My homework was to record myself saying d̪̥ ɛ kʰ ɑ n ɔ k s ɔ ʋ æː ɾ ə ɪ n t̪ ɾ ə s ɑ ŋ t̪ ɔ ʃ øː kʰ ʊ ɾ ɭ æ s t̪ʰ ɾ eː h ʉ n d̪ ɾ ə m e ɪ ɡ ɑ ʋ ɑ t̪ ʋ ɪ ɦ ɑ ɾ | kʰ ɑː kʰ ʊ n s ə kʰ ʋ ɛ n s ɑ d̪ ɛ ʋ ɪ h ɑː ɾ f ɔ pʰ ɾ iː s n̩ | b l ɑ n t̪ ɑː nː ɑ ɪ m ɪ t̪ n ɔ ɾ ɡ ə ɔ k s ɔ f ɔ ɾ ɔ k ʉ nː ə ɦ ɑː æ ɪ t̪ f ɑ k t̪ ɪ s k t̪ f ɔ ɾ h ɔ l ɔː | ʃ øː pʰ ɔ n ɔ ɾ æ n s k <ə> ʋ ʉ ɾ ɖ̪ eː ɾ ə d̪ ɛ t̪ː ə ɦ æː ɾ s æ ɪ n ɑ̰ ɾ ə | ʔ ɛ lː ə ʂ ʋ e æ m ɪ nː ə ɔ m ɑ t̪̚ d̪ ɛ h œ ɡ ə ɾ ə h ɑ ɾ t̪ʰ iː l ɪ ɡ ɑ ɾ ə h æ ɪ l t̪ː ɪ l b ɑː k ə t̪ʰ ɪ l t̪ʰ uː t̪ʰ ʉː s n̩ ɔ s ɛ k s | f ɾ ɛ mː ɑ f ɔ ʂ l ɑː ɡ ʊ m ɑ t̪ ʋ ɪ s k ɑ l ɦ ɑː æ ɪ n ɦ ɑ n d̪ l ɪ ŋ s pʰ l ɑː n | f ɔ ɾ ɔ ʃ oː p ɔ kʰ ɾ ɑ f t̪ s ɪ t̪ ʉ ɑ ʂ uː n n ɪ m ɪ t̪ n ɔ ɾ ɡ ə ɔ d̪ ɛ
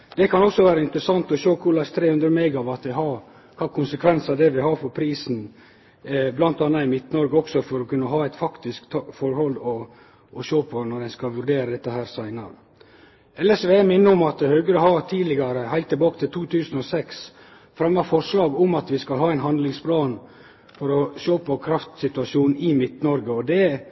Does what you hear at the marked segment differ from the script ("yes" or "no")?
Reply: yes